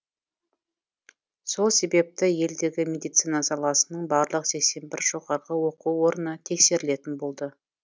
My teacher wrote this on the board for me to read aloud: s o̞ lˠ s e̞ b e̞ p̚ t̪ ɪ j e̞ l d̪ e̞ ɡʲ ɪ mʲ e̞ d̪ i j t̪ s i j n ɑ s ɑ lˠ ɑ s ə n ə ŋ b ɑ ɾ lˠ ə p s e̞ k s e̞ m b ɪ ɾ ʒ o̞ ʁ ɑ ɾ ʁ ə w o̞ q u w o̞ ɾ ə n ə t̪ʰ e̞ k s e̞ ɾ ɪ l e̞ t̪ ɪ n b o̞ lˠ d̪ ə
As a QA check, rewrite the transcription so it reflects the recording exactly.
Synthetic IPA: s o̞ lˠ s e̞ b e̞ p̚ t̪ ɪ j e̞ l d̪ e̞ ɡʲ ɪ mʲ e̞ d̪ i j t̪ s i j n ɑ s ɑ lˠ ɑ s ə n ə ɴ b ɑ ɾ lˠ ə q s e̞ k s e̞ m b ɪ ɾ ʒ o̞ ʁ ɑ ɾ ʁ ə w o̞ q u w o̞ ɾ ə n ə t̪ʰ e̞ k s e̞ ɾ ɪ l e̞ t̪ ɪ n b o̞ lˠ d̪ ə